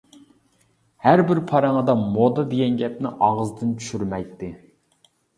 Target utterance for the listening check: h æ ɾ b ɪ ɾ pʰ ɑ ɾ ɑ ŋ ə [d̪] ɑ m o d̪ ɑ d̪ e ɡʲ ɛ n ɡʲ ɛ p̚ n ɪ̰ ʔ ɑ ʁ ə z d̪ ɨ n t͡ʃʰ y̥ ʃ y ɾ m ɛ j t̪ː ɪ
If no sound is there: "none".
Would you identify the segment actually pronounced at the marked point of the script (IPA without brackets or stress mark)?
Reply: d̪